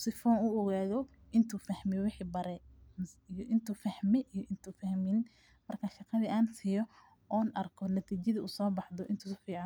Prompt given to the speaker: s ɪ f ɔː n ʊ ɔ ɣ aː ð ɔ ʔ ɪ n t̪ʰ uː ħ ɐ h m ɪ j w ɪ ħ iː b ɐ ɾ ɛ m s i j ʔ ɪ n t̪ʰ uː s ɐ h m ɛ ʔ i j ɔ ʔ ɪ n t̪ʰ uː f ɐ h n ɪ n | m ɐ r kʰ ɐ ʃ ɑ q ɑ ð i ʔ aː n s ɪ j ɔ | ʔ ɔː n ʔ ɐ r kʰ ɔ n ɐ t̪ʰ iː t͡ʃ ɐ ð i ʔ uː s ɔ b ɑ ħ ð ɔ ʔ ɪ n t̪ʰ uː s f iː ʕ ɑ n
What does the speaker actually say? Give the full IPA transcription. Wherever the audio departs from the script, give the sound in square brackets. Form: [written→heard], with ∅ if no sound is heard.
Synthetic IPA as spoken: s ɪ f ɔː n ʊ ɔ ɣ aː ð ɔ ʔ ɪ n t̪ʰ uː [ħ→f] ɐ h m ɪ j w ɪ ħ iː b ɐ ɾ ɛ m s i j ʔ ɪ n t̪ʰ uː [s→f] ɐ h m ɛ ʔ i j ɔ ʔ ɪ n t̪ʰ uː f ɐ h [n→m] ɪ n | m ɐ r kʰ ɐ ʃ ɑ q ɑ ð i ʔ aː n s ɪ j ɔ | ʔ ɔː n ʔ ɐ r kʰ ɔ n ɐ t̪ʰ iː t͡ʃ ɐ ð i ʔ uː s [ɔ→ɔː] b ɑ ħ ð ɔ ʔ ɪ n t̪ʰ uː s f iː ʕ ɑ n